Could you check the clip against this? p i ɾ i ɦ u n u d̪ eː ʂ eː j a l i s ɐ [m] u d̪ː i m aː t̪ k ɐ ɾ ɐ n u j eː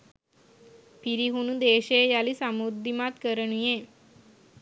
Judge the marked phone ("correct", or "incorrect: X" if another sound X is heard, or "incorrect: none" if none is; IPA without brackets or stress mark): correct